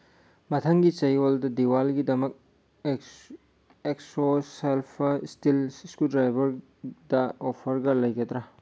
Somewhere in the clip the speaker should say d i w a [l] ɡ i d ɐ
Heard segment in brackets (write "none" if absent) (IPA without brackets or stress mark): l